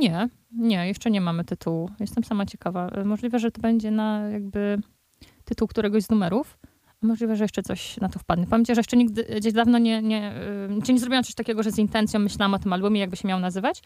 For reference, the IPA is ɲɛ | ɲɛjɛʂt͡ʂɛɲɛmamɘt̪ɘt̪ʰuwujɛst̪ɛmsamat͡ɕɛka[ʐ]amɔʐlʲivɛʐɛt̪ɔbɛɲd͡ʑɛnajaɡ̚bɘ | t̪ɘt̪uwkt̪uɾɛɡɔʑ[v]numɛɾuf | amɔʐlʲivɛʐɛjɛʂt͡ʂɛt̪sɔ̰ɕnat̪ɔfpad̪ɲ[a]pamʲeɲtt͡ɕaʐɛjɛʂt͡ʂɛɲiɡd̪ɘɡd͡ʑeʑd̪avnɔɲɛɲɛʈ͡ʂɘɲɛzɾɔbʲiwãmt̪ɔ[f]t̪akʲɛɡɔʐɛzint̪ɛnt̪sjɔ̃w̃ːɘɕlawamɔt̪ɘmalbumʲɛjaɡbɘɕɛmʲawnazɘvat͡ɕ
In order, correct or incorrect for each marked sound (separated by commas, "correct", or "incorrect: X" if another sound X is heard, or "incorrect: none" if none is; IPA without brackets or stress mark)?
incorrect: v, incorrect: z, incorrect: ɛ, incorrect: ɕ